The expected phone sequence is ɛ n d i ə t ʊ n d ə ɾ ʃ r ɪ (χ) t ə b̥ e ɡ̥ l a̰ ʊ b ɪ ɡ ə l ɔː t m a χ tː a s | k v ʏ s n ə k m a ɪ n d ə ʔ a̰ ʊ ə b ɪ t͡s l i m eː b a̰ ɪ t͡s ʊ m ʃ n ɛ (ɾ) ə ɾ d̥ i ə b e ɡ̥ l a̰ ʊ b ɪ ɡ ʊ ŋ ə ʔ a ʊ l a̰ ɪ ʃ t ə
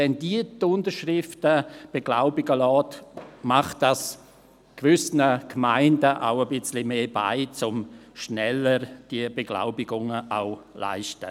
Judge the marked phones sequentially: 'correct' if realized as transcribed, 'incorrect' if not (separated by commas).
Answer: incorrect, incorrect